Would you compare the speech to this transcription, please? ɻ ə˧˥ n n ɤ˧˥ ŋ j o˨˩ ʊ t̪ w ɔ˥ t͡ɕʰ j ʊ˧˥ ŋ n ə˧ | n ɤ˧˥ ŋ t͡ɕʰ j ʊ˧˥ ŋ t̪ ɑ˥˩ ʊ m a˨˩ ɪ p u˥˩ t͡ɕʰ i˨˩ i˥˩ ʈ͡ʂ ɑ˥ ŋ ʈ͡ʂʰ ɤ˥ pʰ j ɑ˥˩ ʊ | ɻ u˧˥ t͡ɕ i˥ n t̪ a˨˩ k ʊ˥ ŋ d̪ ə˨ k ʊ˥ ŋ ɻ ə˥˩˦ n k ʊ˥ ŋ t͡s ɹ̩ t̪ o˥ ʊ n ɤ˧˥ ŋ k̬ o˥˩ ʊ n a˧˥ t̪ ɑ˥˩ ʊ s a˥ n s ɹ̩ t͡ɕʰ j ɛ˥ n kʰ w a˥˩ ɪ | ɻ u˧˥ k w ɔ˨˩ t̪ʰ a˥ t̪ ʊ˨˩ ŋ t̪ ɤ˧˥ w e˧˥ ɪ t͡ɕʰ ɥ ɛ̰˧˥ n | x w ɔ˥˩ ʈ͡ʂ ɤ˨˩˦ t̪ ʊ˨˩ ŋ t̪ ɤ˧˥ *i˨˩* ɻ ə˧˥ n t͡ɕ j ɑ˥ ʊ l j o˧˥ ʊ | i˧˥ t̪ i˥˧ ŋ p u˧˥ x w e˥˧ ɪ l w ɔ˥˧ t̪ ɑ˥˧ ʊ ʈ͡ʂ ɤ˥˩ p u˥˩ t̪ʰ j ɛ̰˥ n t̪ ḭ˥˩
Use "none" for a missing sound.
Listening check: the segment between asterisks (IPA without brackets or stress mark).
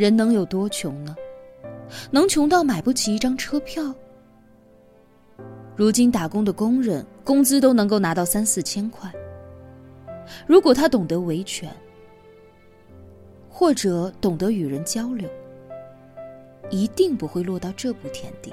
y˨˩